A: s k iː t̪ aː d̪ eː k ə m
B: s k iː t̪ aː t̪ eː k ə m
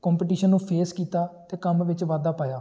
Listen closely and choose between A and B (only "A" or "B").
B